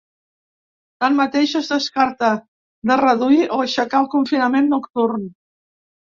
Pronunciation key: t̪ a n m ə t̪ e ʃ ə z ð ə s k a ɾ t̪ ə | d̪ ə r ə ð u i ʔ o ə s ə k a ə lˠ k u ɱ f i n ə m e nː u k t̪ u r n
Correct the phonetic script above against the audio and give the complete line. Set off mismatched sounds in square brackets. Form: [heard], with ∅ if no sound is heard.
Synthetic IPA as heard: t̪ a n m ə t̪ e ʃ ə z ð ə s k a ɾ t̪ ə | d̪ ə r ə ð u i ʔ o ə [ʃ] ə k a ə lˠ k u ɱ f i n ə m e nː u k t̪ u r n